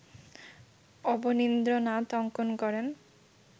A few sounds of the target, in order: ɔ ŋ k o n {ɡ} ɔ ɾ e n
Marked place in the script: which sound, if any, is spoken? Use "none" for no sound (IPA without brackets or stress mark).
k